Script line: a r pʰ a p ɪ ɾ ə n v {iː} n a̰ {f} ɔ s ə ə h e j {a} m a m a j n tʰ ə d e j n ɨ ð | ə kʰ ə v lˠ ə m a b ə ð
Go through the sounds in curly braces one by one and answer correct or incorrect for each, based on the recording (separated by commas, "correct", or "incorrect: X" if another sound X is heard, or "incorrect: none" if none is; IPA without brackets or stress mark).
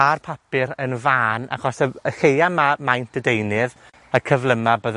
incorrect: aː, incorrect: χ, correct